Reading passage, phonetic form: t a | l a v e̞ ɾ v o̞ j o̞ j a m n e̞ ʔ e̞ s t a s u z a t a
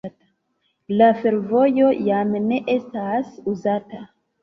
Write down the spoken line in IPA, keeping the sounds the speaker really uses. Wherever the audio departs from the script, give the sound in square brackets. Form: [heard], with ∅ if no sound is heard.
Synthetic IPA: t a | l a [f] e̞ ɾ v o̞ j o̞ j a m n e̞ ʔ e̞ s t a s u z a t a